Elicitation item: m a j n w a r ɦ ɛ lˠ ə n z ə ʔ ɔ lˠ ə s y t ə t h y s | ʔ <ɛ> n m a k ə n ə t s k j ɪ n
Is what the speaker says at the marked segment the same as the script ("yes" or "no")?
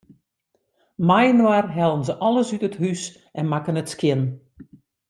yes